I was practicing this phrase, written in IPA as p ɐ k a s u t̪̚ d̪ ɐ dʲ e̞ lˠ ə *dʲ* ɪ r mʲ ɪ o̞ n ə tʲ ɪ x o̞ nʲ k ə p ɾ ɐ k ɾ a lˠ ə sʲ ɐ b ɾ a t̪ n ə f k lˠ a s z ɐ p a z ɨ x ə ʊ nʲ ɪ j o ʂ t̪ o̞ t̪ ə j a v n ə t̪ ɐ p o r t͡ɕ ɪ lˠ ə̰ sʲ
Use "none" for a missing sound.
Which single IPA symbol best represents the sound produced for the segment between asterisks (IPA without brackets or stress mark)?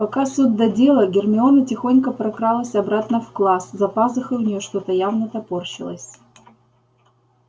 ɡʲ